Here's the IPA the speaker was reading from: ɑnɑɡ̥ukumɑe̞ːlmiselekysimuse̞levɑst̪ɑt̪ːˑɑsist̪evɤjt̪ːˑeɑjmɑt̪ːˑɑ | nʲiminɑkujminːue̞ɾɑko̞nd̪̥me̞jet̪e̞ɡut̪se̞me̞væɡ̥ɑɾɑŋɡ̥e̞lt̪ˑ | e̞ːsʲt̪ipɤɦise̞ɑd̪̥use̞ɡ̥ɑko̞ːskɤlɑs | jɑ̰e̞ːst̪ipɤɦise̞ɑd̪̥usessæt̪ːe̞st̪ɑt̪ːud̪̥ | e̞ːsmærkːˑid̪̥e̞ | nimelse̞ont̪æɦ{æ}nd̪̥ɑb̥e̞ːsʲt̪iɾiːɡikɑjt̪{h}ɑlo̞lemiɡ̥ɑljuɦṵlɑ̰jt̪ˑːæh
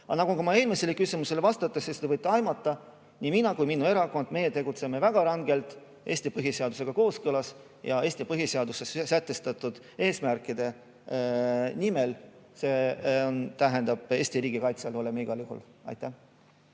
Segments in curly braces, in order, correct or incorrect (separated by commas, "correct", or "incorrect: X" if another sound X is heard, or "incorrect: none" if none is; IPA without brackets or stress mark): incorrect: e, incorrect: s